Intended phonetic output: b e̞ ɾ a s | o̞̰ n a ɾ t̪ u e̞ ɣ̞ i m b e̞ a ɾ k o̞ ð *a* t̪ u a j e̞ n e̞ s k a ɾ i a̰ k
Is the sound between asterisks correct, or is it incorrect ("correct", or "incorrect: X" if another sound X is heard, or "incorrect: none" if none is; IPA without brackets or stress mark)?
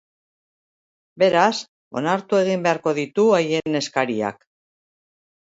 incorrect: i